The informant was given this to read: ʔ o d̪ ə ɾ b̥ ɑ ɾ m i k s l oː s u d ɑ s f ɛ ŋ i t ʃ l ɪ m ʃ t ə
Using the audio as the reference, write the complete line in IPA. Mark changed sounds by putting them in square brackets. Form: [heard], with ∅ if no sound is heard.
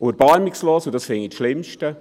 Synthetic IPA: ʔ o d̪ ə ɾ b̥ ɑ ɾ m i k s l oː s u d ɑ s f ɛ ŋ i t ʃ l ɪ m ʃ t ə